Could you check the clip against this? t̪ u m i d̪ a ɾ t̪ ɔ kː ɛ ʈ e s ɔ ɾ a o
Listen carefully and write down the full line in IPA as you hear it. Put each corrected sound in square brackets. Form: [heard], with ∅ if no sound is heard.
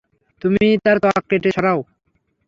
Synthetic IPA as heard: t̪ u m i [t̪] a ɾ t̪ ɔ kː [e] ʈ e [ʃ] ɔ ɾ a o

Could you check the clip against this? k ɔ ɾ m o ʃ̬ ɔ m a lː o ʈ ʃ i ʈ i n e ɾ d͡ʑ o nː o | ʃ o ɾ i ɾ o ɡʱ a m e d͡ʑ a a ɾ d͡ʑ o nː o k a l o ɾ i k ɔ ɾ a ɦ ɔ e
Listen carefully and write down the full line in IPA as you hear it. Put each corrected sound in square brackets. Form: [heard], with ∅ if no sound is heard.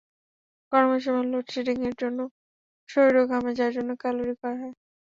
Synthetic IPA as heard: k ɔ ɾ m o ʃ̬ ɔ m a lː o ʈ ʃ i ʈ i [ŋ] e ɾ d͡ʑ o nː o | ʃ o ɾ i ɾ o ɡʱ a m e d͡ʑ a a ɾ d͡ʑ o nː o k a l o ɾ i k ɔ ɾ a ɦ ɔ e

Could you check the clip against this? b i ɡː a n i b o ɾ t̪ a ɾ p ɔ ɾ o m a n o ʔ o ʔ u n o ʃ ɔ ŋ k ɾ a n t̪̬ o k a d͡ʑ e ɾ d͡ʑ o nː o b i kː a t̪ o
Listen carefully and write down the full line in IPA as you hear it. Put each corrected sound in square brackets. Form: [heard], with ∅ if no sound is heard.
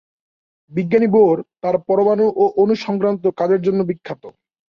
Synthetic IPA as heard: b i ɡː a n i b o ɾ t̪ a ɾ p ɔ ɾ o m a n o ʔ o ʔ [o] n [u] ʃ ɔ ŋ k ɾ a n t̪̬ o k a d͡ʑ e ɾ d͡ʑ o nː o b i [kʰː] a t̪ o

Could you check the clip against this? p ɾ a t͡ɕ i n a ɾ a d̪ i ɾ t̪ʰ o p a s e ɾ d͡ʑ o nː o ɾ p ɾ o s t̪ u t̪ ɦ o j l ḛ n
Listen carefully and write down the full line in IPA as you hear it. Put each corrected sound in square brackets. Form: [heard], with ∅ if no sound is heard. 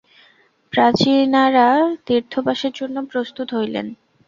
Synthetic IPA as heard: p ɾ a t͡ɕ i n a ɾ a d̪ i ɾ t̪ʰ o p a [ʃ] e ɾ d͡ʑ o nː o [∅] p ɾ o s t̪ u t̪ ɦ o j l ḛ n

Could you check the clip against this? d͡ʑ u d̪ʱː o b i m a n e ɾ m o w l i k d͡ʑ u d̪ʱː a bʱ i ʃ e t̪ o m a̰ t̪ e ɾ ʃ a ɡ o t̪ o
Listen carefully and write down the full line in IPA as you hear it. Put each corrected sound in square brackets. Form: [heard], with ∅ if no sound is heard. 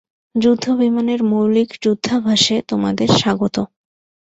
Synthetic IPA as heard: d͡ʑ u d̪ʱː o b i m a n e ɾ m o w l i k d͡ʑ u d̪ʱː a bʱ [a] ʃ e t̪ o m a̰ [d̪] e ɾ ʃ a ɡ o t̪ o

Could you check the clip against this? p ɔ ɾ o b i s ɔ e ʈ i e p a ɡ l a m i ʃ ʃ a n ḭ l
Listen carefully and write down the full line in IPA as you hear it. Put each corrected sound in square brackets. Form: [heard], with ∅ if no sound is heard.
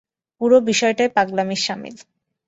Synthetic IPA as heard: p [u] ɾ o b i [ʃ] ɔ e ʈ [a] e p a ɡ l a m i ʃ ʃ a [m] ḭ l

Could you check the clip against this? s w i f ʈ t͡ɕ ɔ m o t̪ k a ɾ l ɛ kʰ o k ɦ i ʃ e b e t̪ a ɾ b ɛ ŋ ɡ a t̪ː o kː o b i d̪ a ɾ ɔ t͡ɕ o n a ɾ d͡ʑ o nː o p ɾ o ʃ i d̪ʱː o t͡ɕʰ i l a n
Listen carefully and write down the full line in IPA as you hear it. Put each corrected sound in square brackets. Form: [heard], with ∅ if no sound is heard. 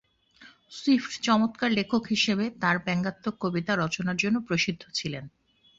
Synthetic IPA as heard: s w i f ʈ t͡ɕ ɔ m o t̪ k a ɾ l [e] kʰ o k ɦ i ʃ e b e t̪ a ɾ b ɛ ŋ ɡ a t̪ː o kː o b i [t̪] a ɾ ɔ t͡ɕ o n a ɾ d͡ʑ o nː o p ɾ o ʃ i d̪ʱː o t͡ɕʰ i l [e] n

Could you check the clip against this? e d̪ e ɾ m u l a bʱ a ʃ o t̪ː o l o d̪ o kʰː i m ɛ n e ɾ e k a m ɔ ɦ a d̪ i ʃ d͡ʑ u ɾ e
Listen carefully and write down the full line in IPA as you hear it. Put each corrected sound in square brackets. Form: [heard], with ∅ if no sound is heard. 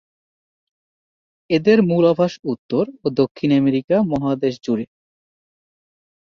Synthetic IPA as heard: e d̪ e ɾ m u l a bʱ a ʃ [u] t̪ː o [ɾ] o d̪ o kʰː i [n] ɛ [m] e ɾ [i] k a m ɔ ɦ a d̪ [e] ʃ d͡ʑ u ɾ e

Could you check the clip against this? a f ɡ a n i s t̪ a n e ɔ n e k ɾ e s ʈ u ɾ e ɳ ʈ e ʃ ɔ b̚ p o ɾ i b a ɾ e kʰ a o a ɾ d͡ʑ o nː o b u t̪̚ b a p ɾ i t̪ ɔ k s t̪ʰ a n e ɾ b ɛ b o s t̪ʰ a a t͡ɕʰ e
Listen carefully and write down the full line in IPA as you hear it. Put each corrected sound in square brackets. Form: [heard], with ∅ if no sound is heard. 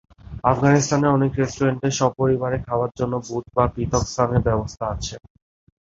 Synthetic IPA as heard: a f ɡ a n i s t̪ a n e ɔ n e k ɾ e s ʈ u ɾ e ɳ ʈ e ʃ ɔ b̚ p o ɾ i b a ɾ e kʰ a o a ɾ d͡ʑ o nː o b u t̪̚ b a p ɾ i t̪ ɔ k s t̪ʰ a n e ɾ b ɛ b o s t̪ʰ a a t͡ɕʰ e

